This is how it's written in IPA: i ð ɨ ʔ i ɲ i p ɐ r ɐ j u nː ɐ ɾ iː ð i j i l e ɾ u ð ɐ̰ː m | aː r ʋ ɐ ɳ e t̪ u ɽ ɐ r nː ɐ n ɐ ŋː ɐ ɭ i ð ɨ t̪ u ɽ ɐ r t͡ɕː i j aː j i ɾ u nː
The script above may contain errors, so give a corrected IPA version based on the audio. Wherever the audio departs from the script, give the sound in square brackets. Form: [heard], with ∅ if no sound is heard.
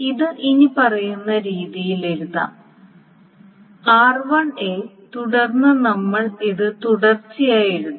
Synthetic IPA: i ð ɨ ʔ i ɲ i p ɐ r ɐ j u nː ɐ ɾ iː ð i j i l e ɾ u ð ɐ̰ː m | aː r ʋ ɐ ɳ e t̪ u ɽ ɐ r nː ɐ n ɐ [mː] ɐ ɭ i ð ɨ t̪ u ɽ ɐ r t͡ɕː i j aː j i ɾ u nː